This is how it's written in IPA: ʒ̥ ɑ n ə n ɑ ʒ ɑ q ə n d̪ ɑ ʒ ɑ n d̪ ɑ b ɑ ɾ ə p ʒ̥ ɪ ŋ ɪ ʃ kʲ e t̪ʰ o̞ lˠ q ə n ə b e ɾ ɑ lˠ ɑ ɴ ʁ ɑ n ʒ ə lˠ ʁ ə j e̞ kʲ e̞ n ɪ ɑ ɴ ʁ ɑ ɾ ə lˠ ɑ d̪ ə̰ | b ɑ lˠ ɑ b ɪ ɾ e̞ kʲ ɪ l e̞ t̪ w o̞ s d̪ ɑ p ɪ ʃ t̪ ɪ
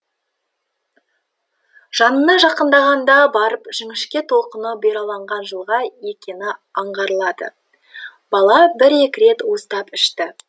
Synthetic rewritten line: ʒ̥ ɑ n ə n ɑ ʒ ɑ q ə n d̪ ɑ ʁ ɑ n d̪ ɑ b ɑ ɾ ə p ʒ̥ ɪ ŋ ɪ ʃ kʲ e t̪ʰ o̞ lˠ q ə n ə b e ɾ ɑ lˠ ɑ ɴ ʁ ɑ n ʒ ə lˠ ʁ ɑ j e̞ kʲ e̞ n ɪ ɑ ɴ ʁ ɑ ɾ ə lˠ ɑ d̪ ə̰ | b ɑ lˠ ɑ b ɪ ɾ e̞ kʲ ɪ ɾ e̞ t̪ w o̞ s t̪ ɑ p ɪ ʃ t̪ ɪ